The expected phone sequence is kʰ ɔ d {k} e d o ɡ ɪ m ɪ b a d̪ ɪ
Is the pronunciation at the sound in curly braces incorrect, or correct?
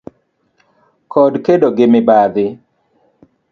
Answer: correct